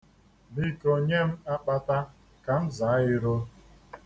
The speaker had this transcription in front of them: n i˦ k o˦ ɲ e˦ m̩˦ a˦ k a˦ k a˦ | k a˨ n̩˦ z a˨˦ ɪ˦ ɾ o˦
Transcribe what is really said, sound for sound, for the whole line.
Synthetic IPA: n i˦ k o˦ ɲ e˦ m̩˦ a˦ k͡p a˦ t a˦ | k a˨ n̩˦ z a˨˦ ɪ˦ ɾ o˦